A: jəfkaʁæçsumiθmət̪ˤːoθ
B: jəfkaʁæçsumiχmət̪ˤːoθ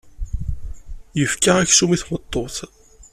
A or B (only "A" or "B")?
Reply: A